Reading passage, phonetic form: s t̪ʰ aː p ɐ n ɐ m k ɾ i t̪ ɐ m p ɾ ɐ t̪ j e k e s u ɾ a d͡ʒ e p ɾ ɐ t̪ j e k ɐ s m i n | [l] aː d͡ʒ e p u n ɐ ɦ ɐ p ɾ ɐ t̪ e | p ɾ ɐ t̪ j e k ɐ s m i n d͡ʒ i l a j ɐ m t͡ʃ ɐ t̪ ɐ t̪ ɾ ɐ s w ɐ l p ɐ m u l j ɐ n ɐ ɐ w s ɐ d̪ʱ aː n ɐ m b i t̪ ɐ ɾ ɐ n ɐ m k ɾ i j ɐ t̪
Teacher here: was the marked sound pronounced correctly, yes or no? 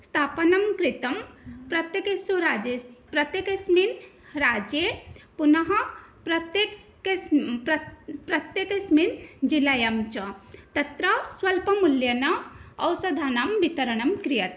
no